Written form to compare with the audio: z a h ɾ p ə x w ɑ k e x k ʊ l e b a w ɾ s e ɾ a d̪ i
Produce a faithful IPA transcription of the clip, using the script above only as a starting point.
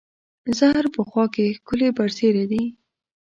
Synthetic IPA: z a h ɾ p ə x w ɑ k e x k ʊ l e b a ɾ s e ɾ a d̪ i